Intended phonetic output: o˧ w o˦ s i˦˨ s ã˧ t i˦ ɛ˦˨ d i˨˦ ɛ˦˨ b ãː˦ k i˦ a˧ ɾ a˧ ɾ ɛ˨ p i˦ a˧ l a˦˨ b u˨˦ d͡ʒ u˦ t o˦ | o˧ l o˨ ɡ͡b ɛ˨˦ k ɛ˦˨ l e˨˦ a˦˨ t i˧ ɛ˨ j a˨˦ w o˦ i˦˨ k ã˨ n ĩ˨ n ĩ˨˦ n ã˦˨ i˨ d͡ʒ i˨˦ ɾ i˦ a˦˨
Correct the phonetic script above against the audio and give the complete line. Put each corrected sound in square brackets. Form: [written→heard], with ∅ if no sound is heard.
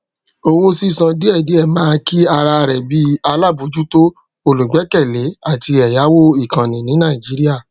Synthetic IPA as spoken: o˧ w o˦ s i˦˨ s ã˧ [t→d] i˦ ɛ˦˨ d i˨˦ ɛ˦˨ [b→m] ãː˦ k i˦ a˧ ɾ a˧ ɾ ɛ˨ [p→b] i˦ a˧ l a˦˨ b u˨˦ d͡ʒ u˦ t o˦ | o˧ l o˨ ɡ͡b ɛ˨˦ k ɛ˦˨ l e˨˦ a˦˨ t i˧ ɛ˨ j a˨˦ w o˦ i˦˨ k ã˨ n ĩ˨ n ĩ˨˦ n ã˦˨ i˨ d͡ʒ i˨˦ ɾ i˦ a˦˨